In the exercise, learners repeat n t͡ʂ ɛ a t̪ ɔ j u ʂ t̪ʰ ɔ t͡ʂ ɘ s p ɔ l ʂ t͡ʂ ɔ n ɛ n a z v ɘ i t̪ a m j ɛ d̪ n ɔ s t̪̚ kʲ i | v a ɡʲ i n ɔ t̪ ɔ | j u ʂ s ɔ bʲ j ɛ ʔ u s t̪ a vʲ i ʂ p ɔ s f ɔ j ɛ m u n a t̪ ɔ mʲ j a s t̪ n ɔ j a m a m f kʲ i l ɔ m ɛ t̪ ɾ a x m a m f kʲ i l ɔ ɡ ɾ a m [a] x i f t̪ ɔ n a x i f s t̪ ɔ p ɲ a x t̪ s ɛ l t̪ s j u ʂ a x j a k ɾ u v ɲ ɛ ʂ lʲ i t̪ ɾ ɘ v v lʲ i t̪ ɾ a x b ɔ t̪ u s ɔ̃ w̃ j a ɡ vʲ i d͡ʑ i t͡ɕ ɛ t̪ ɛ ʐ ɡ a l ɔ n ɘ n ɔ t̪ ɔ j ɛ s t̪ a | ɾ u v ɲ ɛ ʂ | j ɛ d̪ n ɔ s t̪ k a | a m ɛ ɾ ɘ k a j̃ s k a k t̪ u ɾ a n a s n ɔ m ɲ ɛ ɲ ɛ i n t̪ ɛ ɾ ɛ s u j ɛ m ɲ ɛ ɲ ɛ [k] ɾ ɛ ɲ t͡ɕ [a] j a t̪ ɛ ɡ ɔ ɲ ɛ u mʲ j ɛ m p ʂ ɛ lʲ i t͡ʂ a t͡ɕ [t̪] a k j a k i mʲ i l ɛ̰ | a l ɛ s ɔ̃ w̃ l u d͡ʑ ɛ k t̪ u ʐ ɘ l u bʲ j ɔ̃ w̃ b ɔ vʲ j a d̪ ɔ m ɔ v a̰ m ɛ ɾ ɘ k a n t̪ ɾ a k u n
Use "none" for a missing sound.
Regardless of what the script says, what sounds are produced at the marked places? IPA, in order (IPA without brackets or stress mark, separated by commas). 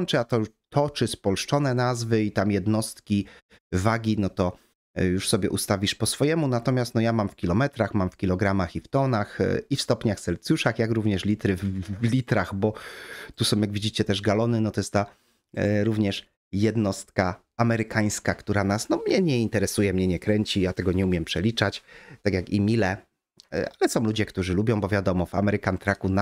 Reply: a, k, i, t̪